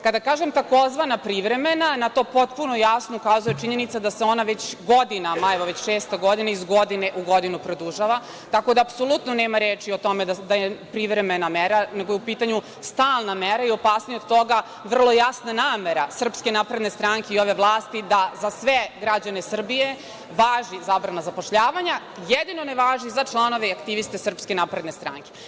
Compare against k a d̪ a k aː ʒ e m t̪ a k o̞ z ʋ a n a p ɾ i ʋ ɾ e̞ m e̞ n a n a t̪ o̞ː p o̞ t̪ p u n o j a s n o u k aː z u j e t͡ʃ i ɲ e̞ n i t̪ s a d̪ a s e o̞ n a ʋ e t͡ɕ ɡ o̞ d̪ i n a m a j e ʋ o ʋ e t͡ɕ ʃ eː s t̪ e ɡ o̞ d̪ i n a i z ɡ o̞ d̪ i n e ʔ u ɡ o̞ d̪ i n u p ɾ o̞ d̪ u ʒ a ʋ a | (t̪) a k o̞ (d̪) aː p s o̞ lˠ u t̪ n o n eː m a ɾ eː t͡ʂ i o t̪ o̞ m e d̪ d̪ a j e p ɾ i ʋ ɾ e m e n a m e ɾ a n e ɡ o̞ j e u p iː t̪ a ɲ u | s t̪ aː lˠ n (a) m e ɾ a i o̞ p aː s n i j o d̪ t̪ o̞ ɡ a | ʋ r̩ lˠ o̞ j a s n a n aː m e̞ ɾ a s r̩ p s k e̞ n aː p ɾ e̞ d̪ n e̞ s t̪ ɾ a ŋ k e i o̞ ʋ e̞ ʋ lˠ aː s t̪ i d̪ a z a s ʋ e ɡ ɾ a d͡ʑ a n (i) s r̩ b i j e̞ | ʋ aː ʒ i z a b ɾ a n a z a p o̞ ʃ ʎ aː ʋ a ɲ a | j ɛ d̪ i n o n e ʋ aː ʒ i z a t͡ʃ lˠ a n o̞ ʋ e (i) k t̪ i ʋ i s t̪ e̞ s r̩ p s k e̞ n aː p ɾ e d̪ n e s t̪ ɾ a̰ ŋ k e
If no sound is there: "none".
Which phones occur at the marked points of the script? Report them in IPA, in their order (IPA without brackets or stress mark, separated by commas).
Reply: t̪, d̪, a, e, a